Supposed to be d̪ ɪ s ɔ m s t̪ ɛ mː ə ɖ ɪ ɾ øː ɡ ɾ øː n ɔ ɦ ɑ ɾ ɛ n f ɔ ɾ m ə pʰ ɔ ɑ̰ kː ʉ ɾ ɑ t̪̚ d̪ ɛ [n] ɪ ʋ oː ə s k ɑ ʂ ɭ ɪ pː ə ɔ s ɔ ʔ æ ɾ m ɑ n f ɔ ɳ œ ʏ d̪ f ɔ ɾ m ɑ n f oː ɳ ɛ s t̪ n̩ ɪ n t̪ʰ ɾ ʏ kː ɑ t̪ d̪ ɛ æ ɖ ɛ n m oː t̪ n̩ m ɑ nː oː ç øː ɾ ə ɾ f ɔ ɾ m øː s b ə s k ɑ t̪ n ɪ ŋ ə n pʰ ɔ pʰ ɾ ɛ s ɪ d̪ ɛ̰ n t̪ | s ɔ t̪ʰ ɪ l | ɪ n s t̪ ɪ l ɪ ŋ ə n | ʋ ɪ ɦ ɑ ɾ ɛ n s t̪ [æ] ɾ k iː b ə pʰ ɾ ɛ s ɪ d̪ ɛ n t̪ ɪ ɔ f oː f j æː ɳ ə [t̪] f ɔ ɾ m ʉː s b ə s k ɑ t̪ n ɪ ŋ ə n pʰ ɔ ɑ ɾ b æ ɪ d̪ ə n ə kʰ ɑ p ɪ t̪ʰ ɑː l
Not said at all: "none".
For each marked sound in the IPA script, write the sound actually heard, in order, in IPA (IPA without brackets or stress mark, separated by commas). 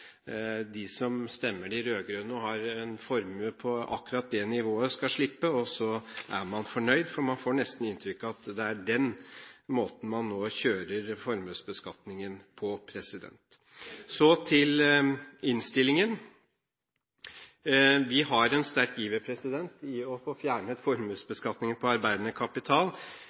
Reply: n, æ, t̪